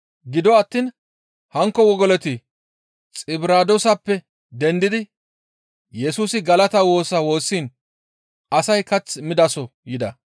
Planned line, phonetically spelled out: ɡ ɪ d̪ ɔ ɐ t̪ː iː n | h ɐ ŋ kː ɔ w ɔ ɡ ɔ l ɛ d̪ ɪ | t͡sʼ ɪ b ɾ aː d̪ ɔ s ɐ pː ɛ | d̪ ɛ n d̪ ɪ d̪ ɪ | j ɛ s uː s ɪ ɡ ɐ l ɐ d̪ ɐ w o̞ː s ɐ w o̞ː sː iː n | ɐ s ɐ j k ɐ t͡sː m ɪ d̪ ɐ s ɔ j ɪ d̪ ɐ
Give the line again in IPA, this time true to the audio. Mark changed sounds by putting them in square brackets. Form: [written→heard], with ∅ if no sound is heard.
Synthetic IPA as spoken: ɡ ɪ d̪ ɔ ɐ t̪ː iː n | h ɐ ŋ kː ɔ w ɔ ɡ ɔ l ɛ [d̪→t̪] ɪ | t͡sʼ ɪ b ɾ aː d̪ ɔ s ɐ pː ɛ | d̪ ɛ n d̪ ɪ d̪ ɪ | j ɛ s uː s ɪ ɡ ɐ l ɐ [d̪→t̪] ɐ w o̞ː s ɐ w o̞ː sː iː n | ɐ s ɐ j k ɐ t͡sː m ɪ d̪ ɐ s ɔ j ɪ d̪ ɐ